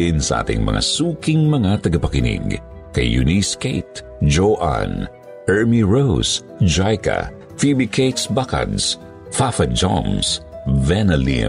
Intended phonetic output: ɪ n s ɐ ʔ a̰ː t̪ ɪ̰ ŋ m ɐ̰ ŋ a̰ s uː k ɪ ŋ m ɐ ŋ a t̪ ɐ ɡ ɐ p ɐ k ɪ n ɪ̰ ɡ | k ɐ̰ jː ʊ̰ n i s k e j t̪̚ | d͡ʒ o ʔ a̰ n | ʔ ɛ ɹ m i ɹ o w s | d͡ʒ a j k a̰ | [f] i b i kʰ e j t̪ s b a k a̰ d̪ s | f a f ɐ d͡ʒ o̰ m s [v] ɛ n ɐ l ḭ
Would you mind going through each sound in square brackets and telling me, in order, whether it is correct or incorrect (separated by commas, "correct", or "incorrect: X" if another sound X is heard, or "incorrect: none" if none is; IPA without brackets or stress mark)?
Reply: correct, correct